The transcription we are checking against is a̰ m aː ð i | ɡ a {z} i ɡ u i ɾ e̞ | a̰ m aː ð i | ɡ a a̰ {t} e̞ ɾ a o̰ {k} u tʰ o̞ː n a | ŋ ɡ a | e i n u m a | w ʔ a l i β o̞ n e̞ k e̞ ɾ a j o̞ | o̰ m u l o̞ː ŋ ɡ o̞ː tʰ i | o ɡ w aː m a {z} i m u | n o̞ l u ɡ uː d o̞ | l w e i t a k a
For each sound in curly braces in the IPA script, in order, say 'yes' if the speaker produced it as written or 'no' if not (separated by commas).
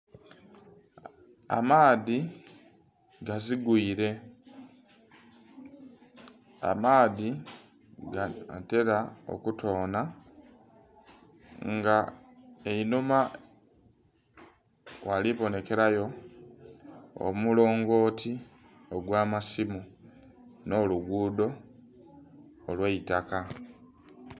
yes, yes, yes, no